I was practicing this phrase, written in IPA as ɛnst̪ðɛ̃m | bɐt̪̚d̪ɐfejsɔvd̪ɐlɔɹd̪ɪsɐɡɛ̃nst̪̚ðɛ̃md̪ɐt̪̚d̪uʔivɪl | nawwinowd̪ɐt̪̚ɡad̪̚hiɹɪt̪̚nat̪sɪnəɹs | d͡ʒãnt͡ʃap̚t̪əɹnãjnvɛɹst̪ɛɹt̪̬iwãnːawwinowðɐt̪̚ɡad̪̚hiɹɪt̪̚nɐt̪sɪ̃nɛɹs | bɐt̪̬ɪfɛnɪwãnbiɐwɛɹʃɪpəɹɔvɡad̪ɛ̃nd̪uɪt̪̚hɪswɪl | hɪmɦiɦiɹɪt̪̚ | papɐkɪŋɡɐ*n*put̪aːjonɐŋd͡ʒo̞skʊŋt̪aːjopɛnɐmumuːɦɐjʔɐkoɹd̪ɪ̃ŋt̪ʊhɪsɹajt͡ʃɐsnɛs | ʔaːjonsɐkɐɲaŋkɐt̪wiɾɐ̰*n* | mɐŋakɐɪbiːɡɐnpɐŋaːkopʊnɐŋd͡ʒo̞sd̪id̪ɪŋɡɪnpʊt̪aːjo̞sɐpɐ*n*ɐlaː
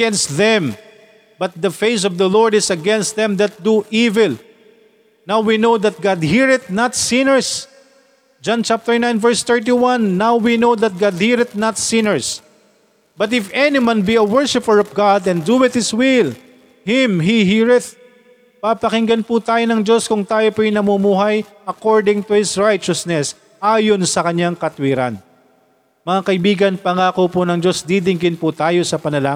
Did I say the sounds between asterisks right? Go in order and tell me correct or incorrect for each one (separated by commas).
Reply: correct, correct, correct